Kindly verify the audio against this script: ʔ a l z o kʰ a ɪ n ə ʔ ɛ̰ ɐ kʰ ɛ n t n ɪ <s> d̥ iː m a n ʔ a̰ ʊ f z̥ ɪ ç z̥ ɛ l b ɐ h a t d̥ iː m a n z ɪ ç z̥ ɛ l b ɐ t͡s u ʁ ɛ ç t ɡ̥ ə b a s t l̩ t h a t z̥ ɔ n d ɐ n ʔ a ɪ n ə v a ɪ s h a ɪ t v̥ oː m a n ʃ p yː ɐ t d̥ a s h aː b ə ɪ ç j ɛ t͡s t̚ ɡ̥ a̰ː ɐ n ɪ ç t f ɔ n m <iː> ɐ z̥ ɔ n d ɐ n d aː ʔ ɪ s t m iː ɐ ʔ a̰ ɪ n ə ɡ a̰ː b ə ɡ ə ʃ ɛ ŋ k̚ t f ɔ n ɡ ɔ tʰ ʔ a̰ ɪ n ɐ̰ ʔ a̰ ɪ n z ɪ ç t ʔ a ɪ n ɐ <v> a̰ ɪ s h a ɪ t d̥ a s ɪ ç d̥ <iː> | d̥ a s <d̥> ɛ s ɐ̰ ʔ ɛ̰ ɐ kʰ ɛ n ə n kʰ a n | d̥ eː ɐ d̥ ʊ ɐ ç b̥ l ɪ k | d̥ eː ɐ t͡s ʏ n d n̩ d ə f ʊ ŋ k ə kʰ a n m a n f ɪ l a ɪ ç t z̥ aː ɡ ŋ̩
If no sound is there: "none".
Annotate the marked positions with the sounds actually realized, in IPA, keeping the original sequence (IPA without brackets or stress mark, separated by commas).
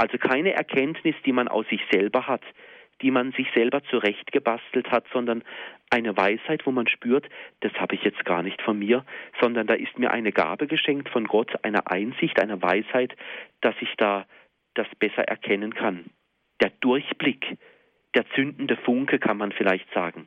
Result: s, iː, v, aː, b̥